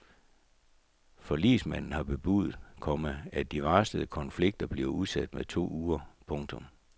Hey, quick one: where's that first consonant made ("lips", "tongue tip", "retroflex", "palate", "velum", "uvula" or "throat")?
lips